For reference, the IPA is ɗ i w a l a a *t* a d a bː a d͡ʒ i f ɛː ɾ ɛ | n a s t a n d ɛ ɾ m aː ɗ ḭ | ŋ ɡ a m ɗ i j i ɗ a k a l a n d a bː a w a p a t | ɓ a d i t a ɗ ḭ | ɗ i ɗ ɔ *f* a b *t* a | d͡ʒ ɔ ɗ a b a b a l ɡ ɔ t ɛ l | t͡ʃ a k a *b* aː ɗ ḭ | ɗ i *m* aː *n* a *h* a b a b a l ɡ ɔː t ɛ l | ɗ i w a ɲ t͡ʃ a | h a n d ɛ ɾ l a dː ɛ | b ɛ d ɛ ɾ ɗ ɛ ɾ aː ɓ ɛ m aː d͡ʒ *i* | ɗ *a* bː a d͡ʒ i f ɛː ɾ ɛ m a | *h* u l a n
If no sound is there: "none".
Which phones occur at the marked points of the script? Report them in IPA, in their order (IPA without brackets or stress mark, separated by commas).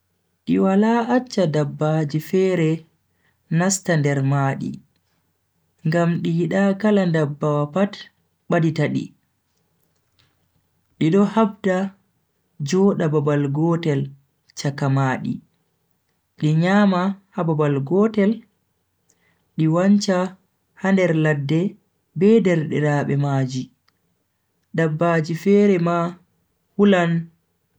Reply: t͡ʃː, h, d, m, ɲ, m, h, i, a, h